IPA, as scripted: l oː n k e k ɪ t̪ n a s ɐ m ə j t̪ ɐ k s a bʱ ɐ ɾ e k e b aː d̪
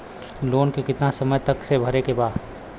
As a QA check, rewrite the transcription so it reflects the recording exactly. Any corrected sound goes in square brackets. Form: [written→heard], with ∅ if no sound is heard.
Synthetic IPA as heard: l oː n k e k ɪ t̪ n a s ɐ m ə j t̪ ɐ k s [a→e] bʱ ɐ ɾ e k e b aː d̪